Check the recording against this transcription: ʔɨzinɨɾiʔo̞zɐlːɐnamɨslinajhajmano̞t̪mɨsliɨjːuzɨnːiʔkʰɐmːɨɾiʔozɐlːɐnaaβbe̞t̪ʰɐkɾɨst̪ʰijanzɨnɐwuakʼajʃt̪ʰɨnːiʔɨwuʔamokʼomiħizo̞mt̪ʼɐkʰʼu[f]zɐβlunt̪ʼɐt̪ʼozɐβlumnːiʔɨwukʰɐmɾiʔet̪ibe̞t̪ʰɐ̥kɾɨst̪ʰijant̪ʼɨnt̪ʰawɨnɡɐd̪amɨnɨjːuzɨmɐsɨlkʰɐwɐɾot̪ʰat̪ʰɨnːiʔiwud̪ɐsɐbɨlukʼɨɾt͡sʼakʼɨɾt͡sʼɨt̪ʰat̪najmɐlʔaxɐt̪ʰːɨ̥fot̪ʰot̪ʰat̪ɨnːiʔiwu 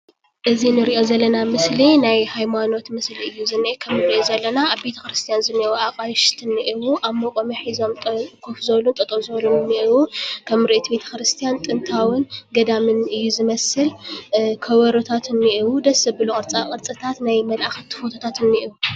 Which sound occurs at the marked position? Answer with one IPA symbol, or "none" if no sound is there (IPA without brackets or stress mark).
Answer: f